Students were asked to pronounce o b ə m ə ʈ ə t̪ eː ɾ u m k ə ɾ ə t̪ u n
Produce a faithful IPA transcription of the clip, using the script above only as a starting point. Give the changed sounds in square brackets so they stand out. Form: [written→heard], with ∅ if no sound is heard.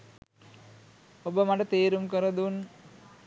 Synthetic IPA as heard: o b ə m [ə→a] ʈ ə t̪ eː ɾ u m k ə ɾ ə [t̪→d̪] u n